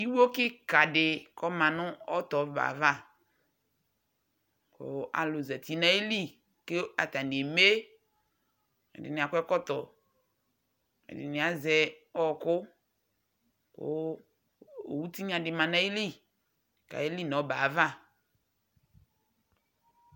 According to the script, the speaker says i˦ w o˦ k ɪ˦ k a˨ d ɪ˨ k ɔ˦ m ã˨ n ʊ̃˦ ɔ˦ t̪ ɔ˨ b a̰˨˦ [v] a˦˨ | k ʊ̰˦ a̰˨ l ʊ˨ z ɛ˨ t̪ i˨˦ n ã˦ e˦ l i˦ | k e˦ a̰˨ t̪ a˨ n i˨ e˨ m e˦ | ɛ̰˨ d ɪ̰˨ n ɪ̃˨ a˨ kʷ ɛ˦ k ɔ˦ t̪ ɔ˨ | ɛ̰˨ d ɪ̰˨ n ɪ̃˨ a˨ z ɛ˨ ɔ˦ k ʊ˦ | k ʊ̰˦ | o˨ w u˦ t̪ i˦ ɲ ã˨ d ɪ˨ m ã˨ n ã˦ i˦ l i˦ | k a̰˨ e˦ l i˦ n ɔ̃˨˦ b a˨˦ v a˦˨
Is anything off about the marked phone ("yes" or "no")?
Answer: no